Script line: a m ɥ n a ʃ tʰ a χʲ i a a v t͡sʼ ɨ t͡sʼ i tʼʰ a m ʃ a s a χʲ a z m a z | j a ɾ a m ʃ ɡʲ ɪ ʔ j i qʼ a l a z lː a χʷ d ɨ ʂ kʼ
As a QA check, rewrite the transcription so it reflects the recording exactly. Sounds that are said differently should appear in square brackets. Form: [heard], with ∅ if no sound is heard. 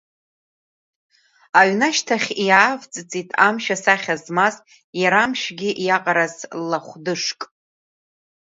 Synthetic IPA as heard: a [∅] ɥ n a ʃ tʰ a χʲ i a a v t͡sʼ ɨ t͡sʼ i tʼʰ a m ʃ a s a χʲ a z m a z | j a ɾ a m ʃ ɡʲ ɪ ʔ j [a] qʼ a [ɾ] a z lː a χʷ d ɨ ʂ kʼ